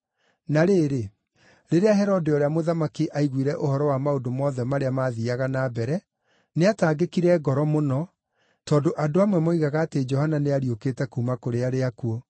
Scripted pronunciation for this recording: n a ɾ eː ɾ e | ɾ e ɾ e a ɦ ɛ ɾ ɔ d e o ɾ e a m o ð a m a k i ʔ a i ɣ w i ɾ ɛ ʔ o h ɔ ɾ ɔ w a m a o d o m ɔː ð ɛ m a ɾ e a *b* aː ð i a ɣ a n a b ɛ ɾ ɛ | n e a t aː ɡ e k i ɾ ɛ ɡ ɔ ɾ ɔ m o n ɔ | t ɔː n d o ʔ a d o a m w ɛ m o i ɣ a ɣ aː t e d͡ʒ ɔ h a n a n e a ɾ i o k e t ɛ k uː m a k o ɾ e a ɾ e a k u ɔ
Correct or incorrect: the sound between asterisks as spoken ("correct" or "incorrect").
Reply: incorrect